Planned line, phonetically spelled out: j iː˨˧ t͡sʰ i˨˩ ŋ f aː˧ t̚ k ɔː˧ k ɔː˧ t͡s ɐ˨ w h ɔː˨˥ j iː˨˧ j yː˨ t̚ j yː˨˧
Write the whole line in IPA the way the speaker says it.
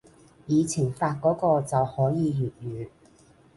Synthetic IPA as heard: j iː˨˧ t͡sʰ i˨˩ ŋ f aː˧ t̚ k ɔː˨˥ k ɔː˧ t͡s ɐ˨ w h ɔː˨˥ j iː˨˧ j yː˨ t̚ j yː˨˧